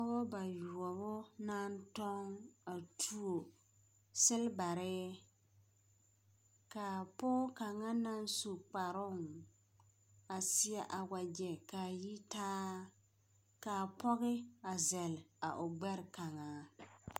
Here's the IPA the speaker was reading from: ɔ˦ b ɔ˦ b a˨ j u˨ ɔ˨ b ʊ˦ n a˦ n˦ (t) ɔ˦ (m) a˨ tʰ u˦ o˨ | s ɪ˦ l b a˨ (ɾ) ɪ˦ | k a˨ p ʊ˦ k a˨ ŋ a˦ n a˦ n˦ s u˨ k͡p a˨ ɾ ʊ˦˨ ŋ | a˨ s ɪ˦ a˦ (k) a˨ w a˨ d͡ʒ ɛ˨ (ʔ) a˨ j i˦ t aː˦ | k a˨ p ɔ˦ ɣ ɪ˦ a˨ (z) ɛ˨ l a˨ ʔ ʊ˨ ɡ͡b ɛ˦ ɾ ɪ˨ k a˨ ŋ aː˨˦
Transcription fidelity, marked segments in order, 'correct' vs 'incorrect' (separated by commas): correct, incorrect, correct, incorrect, incorrect, correct